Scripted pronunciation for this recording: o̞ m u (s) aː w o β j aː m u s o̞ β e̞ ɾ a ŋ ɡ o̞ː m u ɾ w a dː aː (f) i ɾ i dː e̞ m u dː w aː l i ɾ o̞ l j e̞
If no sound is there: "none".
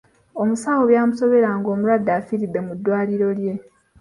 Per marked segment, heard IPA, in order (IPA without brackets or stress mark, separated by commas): s, f